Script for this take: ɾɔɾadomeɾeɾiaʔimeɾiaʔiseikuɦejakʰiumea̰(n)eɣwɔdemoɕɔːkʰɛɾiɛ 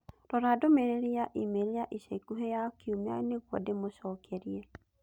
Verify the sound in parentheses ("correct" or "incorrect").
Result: correct